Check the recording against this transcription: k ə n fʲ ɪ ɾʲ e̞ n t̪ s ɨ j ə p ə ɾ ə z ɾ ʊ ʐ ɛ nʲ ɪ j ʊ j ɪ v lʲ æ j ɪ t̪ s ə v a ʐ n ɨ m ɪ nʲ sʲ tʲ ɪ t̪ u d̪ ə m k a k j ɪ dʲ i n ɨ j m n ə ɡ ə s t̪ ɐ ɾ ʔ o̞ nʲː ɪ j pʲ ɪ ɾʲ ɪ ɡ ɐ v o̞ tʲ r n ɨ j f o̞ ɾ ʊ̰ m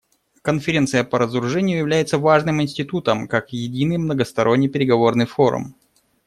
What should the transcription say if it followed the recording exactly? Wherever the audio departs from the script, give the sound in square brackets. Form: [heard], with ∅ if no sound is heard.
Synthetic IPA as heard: k ə n fʲ ɪ ɾʲ e̞ n t̪ s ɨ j ə p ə ɾ ə z ɾ ʊ ʐ ɛ nʲ ɪ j ʊ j ɪ v lʲ æ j ɪ t̪ s ə v a ʐ n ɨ m ɪ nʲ sʲ tʲ ɪ t̪ u [t̪] ə m k a k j ɪ dʲ i n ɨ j m n ə ɡ ə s t̪ ɐ ɾ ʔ o̞ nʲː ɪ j pʲ ɪ ɾʲ ɪ ɡ ɐ v o̞ [∅] r n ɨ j f o̞ ɾ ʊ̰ m